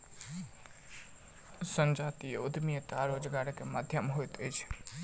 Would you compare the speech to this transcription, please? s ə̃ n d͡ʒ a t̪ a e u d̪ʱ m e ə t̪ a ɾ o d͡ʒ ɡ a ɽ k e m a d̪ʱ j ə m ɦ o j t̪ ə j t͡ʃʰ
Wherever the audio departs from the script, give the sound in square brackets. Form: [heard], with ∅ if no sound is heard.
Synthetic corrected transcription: s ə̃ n d͡ʒ a t̪ [i] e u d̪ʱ m [i] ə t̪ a ɾ o d͡ʒ ɡ a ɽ k e m a d̪ʱ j ə m ɦ o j t̪ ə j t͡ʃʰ